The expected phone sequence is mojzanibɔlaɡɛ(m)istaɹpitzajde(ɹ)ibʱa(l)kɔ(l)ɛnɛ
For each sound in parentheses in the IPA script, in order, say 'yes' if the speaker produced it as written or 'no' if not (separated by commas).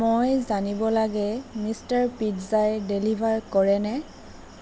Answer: yes, no, no, no